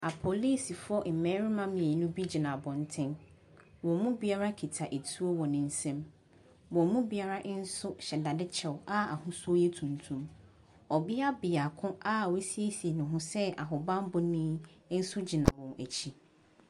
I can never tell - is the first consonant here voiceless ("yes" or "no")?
yes